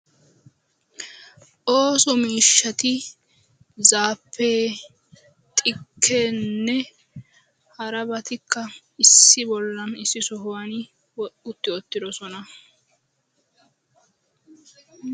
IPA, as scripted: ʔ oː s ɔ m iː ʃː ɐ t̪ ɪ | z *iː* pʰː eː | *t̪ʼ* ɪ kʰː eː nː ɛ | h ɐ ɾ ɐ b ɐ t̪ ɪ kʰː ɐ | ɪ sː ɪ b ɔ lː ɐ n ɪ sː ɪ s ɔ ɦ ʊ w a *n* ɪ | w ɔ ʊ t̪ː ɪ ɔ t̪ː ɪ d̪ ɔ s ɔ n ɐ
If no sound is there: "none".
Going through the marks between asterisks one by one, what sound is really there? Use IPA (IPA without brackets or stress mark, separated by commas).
aː, t̪ʼ, n